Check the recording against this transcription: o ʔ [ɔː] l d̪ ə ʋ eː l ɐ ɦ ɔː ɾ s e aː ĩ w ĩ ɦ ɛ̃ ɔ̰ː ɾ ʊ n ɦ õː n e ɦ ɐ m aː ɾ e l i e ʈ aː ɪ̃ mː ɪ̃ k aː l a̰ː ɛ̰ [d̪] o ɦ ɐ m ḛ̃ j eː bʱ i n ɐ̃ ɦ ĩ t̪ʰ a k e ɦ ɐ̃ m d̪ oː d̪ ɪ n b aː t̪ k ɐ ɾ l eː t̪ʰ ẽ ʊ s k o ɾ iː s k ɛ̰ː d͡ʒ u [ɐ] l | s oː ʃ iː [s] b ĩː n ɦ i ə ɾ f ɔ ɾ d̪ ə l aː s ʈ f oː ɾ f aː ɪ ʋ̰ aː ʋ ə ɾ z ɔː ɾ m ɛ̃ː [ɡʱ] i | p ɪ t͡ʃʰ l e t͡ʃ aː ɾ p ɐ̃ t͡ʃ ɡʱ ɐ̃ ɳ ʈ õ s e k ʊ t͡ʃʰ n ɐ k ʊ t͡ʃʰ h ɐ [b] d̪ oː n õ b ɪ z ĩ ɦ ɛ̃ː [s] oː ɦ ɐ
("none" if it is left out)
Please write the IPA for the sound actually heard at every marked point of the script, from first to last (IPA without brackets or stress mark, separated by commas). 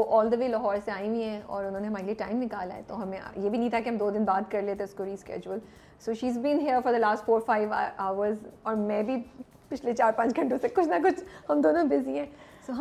ɔː, t̪, ə, z, bʱ, m, s